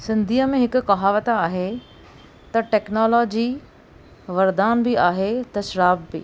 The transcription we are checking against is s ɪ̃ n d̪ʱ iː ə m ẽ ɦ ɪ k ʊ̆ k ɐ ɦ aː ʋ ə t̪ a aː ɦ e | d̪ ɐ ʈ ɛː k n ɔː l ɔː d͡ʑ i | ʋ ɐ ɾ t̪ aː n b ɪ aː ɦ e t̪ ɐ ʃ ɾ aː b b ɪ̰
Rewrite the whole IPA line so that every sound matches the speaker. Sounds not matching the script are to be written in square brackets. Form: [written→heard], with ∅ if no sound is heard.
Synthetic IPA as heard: s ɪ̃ n d̪ʱ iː ə m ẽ ɦ ɪ k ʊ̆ k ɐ ɦ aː ʋ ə t̪ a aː ɦ e | [d̪→t̪] ɐ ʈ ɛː k n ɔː l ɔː d͡ʑ i | ʋ ɐ ɾ [t̪→d̪] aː n b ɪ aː ɦ e t̪ ɐ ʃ ɾ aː b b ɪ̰